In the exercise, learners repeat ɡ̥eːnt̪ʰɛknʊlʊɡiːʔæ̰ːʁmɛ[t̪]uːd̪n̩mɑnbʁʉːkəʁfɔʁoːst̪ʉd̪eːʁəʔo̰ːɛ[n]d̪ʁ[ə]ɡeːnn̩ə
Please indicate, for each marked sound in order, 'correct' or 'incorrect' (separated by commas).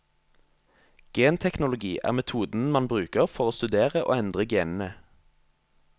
incorrect, correct, correct